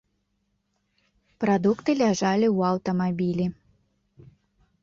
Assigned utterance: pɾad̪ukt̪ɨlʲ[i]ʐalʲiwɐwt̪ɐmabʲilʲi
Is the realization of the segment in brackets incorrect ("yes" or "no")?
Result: yes